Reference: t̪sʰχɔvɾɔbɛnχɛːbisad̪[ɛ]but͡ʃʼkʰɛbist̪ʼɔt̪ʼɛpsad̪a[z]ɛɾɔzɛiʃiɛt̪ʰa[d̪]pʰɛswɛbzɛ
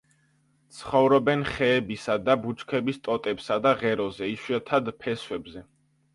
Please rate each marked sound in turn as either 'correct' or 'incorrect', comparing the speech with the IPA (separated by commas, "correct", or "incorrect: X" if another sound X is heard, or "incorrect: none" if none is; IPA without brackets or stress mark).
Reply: incorrect: a, incorrect: ʁ, correct